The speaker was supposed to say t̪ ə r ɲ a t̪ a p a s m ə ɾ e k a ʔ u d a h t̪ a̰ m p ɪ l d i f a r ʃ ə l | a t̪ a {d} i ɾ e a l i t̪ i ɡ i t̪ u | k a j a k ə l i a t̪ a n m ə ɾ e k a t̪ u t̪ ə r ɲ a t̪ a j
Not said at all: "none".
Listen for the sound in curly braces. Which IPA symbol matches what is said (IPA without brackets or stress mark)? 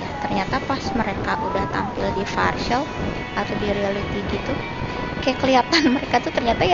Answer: d